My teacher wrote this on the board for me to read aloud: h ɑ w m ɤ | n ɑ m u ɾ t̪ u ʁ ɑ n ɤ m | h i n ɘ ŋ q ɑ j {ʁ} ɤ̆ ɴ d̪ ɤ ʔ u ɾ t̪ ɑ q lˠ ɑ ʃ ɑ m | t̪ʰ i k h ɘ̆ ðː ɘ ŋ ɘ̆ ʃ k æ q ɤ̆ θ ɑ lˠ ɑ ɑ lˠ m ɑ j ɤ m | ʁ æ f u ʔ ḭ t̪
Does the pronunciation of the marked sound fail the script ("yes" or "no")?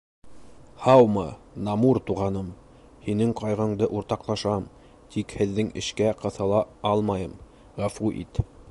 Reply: no